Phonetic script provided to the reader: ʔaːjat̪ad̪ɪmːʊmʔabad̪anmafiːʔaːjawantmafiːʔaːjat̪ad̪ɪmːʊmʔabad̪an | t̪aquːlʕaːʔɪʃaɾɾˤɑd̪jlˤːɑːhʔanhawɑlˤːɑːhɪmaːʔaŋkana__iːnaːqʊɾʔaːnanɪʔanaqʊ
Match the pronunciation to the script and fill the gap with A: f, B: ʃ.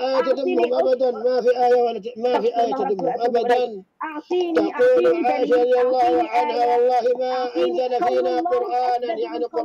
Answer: A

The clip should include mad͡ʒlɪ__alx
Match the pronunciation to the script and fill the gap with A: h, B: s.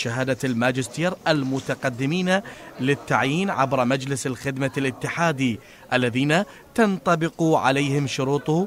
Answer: B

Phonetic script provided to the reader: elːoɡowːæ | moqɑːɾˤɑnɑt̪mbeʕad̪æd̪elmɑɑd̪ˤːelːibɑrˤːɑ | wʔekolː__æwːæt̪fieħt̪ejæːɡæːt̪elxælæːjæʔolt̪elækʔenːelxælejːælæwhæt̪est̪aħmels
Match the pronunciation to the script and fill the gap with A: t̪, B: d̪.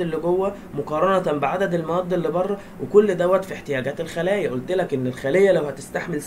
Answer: B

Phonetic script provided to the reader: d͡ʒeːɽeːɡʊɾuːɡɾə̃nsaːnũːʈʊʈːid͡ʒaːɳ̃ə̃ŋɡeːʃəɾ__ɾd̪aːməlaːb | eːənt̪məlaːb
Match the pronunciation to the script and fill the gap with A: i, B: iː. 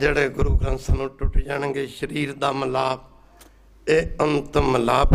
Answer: B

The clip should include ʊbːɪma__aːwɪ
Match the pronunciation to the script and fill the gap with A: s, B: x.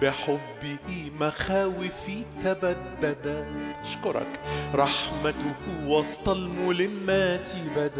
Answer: B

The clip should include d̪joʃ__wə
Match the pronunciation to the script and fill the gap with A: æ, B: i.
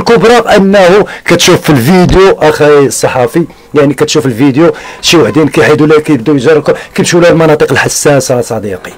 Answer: B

